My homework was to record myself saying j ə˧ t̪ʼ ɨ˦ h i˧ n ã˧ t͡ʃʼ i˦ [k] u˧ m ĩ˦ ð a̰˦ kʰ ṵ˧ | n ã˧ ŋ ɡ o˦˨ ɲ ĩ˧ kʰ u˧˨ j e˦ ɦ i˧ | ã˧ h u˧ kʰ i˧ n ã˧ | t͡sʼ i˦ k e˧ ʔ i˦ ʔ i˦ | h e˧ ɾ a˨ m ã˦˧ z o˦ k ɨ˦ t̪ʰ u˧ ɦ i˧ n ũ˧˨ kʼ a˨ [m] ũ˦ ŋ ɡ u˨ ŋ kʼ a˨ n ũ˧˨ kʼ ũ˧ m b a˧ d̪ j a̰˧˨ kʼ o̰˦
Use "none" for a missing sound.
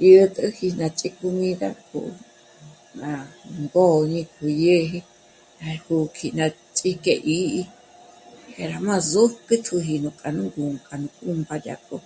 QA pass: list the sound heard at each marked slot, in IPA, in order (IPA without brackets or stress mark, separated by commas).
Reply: k, n